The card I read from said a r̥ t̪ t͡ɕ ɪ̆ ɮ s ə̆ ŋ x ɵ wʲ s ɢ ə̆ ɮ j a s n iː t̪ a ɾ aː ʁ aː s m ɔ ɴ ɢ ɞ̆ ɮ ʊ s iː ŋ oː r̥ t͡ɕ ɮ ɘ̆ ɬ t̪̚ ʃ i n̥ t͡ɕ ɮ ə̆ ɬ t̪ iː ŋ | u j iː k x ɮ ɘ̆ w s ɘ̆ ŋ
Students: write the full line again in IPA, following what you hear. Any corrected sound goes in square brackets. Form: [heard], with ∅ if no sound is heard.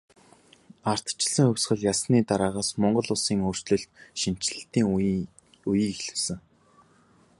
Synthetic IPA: a r̥ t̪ t͡ɕ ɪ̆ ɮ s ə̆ ŋ x ɵ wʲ s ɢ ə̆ ɮ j a s n iː t̪ a ɾ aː ʁ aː s m ɔ ɴ ɢ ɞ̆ ɮ ʊ s iː ŋ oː r̥ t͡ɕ ɮ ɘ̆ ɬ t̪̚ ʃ i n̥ t͡ɕ ɮ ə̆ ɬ t̪ iː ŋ | u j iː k x ɮ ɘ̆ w s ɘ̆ ŋ